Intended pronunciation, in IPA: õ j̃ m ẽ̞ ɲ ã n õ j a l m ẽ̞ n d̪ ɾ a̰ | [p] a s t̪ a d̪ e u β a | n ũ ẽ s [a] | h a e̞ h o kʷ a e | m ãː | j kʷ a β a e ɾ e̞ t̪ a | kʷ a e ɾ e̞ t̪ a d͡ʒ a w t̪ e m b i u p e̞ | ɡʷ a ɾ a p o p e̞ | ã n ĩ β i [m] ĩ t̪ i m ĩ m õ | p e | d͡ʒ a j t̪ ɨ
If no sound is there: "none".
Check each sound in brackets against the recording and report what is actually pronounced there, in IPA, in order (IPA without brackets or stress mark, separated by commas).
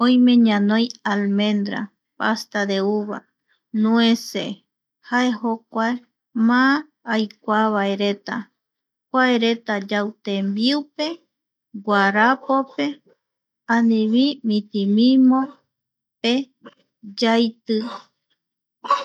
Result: p, e, m